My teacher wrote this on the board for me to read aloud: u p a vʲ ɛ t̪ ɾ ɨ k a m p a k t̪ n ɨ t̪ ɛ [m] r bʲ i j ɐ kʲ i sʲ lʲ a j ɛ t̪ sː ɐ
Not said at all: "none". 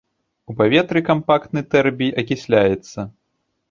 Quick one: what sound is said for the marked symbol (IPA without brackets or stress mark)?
none